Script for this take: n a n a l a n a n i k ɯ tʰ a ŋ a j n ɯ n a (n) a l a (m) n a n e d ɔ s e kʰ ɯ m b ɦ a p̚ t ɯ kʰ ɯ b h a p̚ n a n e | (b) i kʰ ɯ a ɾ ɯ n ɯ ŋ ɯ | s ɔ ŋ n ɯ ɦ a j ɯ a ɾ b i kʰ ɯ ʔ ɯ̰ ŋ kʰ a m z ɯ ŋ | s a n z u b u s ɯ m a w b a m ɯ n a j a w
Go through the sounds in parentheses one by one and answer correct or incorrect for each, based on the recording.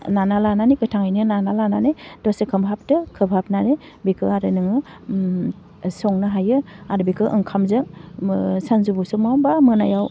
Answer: correct, incorrect, correct

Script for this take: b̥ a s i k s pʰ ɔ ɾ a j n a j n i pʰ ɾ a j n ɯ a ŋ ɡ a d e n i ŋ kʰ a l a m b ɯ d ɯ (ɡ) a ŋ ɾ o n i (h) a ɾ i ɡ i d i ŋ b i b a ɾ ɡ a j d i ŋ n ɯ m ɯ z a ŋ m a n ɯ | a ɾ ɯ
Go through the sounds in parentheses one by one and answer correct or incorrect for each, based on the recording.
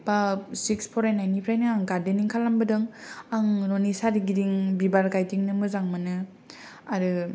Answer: incorrect, incorrect

